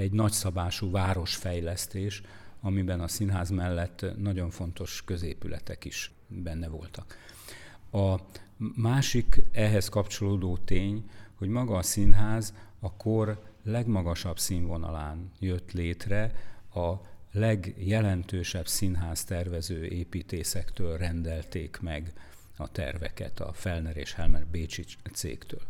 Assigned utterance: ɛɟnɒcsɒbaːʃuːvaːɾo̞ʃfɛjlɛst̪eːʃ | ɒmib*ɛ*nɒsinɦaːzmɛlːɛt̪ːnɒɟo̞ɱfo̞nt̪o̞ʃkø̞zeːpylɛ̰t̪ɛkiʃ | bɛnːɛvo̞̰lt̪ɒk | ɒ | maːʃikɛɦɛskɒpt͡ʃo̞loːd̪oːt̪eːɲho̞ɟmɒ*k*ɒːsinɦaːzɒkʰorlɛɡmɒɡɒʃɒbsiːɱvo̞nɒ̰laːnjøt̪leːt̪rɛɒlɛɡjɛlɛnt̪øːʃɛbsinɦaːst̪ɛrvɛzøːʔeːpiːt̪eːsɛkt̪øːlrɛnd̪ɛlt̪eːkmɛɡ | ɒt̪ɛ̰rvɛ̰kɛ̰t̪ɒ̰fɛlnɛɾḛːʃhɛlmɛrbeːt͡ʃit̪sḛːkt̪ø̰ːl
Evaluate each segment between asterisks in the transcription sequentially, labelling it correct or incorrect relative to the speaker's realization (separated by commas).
correct, incorrect